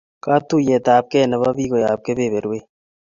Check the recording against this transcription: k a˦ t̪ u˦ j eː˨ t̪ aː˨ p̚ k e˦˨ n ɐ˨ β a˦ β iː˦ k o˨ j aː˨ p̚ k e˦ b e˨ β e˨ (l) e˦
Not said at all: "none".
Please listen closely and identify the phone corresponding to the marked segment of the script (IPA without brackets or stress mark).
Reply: ɾ